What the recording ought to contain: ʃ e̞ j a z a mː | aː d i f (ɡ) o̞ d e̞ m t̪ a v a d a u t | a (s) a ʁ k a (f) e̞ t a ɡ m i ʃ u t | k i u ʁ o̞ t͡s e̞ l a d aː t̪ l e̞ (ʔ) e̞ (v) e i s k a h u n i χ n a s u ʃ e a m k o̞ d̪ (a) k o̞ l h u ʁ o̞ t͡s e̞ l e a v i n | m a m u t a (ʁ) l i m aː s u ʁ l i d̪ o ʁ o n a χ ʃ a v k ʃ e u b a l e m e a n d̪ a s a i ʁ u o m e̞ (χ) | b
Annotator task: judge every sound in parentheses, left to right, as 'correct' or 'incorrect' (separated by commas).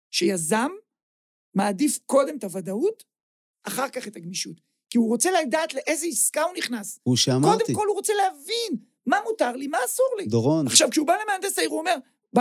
incorrect, incorrect, incorrect, correct, incorrect, incorrect, correct, incorrect